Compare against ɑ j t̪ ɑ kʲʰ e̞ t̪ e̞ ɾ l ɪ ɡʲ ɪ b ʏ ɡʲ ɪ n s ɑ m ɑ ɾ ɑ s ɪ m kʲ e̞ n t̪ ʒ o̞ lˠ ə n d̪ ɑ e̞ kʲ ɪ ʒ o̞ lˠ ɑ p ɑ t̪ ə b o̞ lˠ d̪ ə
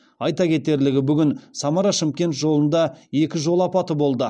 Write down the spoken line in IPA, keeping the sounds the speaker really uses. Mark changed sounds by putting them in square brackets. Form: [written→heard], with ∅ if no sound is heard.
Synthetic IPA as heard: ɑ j t̪ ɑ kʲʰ e̞ t̪ e̞ ɾ l ɪ ɡʲ ɪ b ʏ ɡʲ ɪ n s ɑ m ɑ ɾ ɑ [s→ʃ] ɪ m kʲ e̞ n t̪ ʒ o̞ lˠ ə n d̪ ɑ e̞ kʲ ɪ ʒ o̞ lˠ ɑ p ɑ t̪ ə b o̞ lˠ d̪ ə